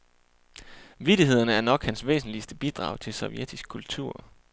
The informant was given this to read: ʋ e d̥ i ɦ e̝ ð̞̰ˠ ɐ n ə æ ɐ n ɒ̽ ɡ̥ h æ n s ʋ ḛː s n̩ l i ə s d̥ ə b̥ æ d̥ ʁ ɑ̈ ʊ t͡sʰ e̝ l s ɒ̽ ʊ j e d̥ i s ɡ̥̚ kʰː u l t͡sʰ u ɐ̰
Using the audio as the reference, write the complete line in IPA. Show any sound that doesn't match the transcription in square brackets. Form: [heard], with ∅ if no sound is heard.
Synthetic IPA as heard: ʋ [i] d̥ i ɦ e̝ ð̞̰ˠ ɐ n ə æ ɐ n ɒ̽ ɡ̥ h æ n s ʋ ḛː s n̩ l i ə s d̥ ə b̥ [i] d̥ ʁ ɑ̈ ʊ t͡sʰ e̝ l s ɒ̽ ʊ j e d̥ i s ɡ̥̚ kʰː u l t͡sʰ u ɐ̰